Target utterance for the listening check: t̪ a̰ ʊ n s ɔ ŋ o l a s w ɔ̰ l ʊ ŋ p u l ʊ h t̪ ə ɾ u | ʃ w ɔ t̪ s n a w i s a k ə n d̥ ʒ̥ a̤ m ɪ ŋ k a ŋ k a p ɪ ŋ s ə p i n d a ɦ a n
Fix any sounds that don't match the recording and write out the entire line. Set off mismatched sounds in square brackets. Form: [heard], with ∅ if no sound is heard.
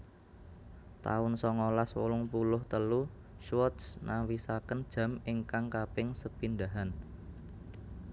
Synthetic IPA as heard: t̪ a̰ ʊ n s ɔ ŋ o l a s w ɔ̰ l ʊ ŋ p u l ʊ h t̪ ə [l] u | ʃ w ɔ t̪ s n a w i s a k ə n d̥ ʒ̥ a̤ m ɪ ŋ k a ŋ k a p ɪ ŋ s ə p i n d a ɦ a n